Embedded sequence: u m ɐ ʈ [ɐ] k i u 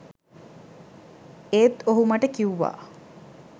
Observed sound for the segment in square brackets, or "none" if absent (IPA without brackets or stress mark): ə